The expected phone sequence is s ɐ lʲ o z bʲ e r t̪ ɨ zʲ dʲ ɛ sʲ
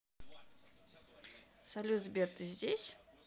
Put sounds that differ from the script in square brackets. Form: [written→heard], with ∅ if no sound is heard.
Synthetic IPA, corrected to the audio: s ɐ lʲ [o→u] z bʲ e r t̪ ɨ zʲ dʲ [ɛ→e] sʲ

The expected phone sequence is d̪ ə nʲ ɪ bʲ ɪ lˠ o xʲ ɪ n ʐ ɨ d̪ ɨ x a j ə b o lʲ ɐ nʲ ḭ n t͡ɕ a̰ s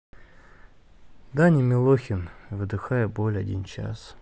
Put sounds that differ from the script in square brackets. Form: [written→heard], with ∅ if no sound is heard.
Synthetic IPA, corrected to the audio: d̪ [ə→a] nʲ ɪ [bʲ→mʲ] ɪ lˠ o xʲ ɪ n [ʐ→v] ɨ d̪ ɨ x a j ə b o lʲ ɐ [nʲ→dʲ] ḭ n t͡ɕ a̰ s

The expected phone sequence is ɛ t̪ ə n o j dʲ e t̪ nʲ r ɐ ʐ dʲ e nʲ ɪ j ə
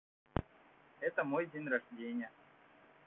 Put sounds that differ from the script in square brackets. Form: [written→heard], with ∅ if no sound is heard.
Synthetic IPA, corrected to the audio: ɛ t̪ ə [n→m] o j dʲ e [t̪→∅] nʲ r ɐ ʐ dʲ e nʲ ɪ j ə

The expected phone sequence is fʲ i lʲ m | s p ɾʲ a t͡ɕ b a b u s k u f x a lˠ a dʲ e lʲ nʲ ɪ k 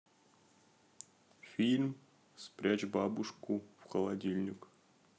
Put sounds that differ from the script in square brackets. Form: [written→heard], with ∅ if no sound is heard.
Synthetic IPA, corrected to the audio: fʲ i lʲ m | s p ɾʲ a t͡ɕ b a b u [s→ʂ] k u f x [a→ə] lˠ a dʲ [e→i] lʲ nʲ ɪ k

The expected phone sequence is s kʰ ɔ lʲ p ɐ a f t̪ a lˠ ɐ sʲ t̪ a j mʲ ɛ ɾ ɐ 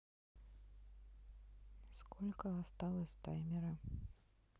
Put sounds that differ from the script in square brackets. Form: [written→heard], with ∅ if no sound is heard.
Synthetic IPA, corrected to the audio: s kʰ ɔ lʲ [p→k] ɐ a [f→s] t̪ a lˠ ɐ sʲ t̪ a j mʲ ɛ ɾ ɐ

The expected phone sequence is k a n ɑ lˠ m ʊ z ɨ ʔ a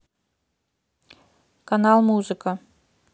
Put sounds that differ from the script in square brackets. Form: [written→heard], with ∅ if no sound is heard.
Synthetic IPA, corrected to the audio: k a n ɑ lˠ m [ʊ→u] z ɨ [ʔ→k] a

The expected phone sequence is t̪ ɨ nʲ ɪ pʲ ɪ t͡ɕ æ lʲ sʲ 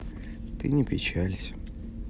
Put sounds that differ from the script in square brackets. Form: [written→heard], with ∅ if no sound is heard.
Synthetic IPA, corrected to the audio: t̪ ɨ nʲ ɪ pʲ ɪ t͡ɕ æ lʲ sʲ

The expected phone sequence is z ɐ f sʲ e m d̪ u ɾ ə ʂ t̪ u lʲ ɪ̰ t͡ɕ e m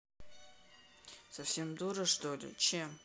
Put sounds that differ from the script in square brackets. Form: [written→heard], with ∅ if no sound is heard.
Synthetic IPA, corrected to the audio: [z→s] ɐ f sʲ e m d̪ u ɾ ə ʂ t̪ [u→o] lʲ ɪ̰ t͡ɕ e m

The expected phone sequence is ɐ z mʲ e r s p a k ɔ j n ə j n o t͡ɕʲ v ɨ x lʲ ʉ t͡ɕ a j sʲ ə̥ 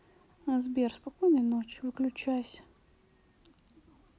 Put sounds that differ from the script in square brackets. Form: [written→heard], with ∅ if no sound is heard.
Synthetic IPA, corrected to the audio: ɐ z [mʲ→bʲ] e r s p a k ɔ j n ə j n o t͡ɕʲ v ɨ [x→k] lʲ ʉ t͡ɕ a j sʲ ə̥

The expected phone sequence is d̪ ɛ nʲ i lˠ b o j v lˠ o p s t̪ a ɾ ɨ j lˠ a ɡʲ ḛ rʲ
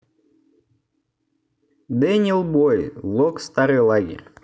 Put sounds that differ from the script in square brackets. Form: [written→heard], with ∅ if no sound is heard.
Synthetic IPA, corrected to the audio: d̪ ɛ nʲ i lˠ b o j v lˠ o [p→k] s t̪ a ɾ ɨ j lˠ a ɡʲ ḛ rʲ

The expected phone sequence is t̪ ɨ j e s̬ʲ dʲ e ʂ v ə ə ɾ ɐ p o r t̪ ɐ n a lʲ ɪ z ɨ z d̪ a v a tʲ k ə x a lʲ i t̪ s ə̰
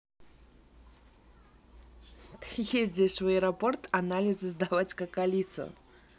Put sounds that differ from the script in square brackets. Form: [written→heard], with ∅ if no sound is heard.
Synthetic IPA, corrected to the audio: t̪ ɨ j e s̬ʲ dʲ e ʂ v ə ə ɾ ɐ p o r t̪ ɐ n a lʲ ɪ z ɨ z d̪ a v a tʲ k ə [x→k] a lʲ i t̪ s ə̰

